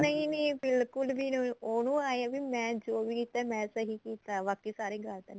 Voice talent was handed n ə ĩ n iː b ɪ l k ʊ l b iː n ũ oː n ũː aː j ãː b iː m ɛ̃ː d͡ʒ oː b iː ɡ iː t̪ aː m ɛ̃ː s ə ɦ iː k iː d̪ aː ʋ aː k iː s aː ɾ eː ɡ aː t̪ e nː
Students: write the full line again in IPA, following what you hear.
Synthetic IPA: n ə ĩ n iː b ɪ l k ʊ l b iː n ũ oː n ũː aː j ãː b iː m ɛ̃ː d͡ʒ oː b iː k iː t̪ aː m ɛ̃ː s ə ɦ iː k iː t̪ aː ʋ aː k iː s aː ɾ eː ɡ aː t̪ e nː